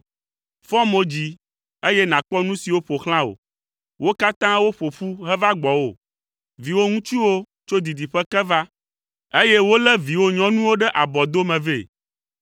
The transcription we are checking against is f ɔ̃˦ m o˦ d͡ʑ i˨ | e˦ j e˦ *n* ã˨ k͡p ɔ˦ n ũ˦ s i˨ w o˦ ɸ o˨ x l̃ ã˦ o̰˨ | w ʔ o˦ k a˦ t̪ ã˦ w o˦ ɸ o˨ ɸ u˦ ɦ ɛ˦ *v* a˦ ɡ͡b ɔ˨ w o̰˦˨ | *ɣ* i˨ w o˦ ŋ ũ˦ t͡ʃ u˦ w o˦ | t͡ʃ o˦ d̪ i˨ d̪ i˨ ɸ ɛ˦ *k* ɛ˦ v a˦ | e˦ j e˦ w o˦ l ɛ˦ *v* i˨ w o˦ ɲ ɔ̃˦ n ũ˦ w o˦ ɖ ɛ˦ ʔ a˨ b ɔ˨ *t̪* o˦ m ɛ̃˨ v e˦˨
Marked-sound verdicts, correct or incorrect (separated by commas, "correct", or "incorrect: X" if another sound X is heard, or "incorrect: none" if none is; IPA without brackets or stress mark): correct, correct, incorrect: v, correct, correct, incorrect: d̪